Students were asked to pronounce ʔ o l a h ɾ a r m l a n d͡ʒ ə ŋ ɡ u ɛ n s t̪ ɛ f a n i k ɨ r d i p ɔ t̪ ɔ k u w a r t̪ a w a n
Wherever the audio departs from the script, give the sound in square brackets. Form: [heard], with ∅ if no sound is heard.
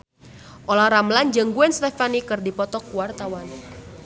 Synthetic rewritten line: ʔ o l a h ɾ a [∅] m l a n d͡ʒ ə ŋ ɡ u ɛ n s t̪ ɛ f a n i k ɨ r d i p ɔ t̪ ɔ k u w a r t̪ a w a n